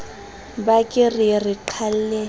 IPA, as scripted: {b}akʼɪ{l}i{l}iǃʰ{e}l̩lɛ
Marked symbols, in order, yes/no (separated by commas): yes, no, no, no